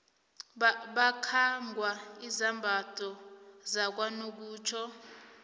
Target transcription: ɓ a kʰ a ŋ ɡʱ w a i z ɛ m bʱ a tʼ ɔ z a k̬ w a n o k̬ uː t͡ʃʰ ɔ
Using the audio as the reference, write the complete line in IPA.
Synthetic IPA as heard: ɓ a kʰ a ŋ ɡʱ w a i z a m bʱ a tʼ ɔ z a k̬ w a n o k̬ uː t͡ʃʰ ɔ